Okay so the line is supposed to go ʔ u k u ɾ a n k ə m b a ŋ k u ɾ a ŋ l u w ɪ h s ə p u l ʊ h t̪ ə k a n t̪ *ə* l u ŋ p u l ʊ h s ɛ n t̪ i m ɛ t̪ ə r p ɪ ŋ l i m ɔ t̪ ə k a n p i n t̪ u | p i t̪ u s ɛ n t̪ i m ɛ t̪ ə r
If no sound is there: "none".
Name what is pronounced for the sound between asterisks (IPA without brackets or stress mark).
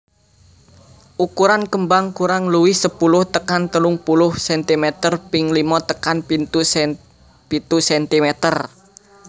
ə